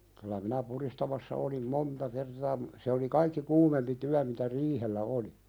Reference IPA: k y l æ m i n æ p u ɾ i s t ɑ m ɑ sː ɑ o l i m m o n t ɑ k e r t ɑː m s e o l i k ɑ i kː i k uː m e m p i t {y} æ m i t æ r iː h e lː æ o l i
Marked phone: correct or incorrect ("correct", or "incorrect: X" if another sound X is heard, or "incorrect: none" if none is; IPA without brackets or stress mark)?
correct